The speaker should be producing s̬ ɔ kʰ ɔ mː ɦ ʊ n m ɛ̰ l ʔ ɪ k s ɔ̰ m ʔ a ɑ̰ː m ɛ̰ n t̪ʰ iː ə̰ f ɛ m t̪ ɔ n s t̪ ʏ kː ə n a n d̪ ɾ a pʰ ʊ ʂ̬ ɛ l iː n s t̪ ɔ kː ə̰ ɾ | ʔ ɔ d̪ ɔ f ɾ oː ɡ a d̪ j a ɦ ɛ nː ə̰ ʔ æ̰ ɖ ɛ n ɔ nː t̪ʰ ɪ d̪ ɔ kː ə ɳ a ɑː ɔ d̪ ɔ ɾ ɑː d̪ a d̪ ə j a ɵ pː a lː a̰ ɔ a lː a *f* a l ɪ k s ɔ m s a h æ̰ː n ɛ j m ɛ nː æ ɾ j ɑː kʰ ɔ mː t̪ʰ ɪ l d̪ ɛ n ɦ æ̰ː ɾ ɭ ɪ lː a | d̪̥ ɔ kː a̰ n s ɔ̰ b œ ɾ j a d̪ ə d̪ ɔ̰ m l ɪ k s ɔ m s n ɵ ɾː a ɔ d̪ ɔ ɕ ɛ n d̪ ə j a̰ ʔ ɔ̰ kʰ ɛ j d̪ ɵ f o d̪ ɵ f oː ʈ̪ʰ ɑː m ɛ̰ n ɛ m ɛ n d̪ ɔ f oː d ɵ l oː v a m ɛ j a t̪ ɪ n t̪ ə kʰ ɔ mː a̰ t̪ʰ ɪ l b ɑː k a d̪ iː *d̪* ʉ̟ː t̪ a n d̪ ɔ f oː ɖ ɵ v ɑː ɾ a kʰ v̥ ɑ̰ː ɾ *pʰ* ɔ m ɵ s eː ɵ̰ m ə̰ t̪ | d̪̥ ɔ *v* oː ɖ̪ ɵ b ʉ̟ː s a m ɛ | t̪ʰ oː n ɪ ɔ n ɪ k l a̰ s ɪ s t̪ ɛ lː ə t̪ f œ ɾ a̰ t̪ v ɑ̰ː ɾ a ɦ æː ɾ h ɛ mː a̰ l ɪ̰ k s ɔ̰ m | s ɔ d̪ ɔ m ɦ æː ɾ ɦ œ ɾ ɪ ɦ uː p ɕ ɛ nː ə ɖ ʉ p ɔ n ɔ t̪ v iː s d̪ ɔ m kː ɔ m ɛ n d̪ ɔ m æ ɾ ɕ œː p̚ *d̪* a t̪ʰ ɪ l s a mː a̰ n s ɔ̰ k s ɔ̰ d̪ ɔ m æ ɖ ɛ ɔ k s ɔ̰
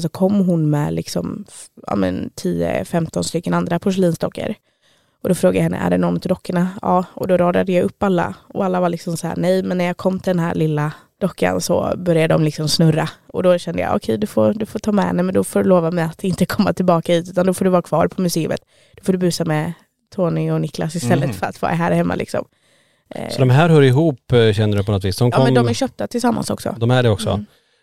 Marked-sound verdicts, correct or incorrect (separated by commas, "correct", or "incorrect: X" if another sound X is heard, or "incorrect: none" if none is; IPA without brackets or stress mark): incorrect: v, incorrect: t̪, correct, incorrect: f, incorrect: t̪